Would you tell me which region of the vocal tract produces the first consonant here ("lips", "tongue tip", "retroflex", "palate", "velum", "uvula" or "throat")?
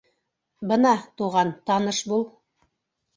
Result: lips